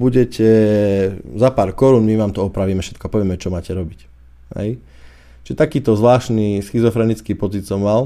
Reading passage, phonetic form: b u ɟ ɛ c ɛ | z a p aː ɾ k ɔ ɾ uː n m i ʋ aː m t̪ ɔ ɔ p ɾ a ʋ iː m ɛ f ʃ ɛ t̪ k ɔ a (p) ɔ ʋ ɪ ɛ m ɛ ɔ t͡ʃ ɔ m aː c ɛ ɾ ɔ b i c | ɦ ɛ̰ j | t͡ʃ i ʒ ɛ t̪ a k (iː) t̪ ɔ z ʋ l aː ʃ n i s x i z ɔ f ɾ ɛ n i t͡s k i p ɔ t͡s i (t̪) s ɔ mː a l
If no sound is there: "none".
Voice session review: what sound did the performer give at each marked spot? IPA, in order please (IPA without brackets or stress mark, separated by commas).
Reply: p, iː, t̪